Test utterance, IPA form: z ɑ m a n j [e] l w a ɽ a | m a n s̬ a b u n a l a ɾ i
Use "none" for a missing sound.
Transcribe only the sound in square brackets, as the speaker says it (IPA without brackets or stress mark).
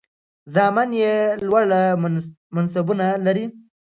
e